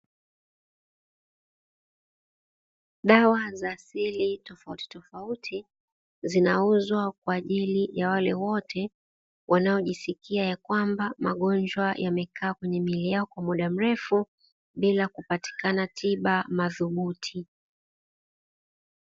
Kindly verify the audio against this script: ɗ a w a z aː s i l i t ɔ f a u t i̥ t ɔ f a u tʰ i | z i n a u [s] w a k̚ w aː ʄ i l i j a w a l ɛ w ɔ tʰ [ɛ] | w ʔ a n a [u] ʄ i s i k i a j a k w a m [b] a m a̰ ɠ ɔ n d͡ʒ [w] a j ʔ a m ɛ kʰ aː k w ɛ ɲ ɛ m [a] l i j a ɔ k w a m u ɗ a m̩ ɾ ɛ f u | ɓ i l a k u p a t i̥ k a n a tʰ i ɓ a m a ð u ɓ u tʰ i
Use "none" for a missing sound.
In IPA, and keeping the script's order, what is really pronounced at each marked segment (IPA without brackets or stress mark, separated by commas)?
z, ɛ, ɔ, b, w, i